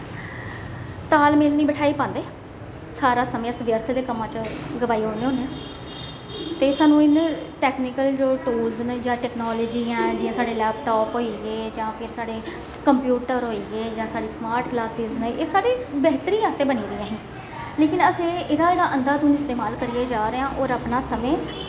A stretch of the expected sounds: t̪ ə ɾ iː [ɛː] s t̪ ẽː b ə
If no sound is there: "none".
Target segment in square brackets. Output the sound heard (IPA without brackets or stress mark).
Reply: aː